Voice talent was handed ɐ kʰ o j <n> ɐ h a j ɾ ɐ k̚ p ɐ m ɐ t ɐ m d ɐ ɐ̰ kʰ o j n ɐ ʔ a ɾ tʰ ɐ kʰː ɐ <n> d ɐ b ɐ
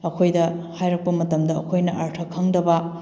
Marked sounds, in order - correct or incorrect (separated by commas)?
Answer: incorrect, incorrect